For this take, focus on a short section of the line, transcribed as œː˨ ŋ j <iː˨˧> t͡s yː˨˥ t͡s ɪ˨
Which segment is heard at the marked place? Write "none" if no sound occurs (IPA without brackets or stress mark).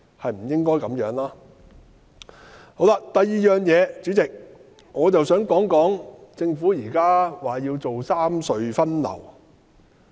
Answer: ɛː˨˧